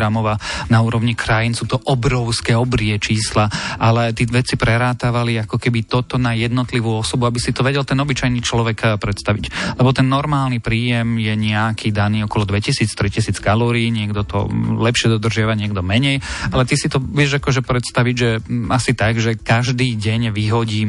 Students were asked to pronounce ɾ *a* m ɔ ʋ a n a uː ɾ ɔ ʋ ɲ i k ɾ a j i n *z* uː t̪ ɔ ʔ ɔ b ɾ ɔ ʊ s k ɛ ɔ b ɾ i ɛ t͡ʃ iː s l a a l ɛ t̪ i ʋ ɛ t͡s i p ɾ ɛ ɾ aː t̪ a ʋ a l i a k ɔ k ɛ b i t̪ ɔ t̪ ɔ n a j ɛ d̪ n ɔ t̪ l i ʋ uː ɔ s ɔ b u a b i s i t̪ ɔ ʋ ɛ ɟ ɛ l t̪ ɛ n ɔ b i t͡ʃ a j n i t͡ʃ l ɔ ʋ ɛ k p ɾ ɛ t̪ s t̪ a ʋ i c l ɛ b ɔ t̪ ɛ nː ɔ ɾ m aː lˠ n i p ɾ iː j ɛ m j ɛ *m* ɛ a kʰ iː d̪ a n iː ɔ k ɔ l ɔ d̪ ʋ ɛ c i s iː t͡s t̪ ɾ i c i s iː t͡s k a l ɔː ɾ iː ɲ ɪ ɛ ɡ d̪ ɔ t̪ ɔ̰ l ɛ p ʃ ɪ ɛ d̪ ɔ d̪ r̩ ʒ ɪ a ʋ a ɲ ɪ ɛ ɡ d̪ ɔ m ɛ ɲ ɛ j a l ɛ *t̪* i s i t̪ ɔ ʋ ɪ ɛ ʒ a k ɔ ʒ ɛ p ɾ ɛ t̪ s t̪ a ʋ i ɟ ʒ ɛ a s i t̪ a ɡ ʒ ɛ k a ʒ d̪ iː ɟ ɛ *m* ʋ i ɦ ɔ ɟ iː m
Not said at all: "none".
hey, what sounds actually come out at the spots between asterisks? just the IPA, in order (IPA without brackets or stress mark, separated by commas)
a, s, ɲ, t̪, ɲ